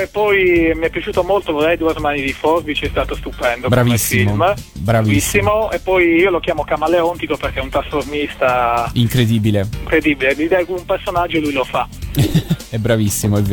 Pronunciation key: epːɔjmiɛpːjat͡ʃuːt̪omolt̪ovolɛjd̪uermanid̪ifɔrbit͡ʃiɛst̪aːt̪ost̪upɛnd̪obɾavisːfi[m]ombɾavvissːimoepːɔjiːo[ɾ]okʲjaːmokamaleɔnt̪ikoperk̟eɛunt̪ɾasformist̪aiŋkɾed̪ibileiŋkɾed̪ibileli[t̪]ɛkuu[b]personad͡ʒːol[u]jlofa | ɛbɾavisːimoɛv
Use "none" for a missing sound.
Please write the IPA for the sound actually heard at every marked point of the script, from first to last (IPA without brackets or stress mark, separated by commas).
m, l, d̪, m, u